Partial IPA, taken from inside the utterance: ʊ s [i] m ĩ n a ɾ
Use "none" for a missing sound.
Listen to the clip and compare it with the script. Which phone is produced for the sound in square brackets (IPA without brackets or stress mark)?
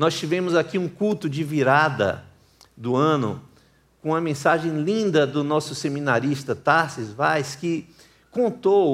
e